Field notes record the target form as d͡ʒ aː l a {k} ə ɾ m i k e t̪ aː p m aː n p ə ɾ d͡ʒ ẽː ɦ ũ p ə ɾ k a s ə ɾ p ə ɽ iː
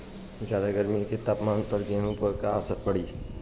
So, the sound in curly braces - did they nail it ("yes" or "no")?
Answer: no